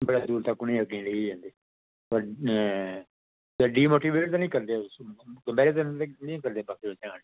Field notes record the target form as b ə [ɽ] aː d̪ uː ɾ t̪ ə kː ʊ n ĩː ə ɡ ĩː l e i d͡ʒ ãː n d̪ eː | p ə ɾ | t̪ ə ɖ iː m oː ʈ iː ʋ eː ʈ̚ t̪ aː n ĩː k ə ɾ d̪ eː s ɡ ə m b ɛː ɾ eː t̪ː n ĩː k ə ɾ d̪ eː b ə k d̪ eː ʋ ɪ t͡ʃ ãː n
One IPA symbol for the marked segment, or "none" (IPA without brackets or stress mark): ɽ